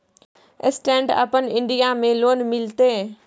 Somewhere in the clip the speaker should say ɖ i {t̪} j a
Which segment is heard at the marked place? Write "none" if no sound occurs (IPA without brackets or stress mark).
none